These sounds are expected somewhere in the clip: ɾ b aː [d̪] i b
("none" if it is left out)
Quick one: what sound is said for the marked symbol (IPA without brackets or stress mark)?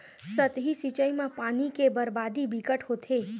d̪